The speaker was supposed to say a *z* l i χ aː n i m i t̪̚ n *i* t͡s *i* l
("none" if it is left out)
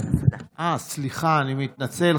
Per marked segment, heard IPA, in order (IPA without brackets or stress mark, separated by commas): s, a, e